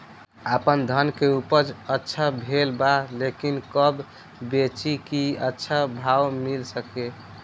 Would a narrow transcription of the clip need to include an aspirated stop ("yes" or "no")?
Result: no